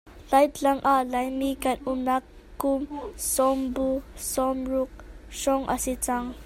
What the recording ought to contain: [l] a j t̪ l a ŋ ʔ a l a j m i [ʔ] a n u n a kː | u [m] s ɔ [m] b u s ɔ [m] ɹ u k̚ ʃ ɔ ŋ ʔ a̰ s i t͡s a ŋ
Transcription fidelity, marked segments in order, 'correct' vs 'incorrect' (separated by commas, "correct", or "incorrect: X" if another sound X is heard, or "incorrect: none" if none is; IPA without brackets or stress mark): correct, incorrect: k, correct, correct, correct